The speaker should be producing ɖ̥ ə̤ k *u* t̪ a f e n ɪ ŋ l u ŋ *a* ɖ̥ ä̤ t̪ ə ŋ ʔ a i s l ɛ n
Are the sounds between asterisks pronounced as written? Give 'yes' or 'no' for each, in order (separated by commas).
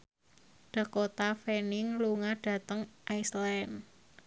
no, yes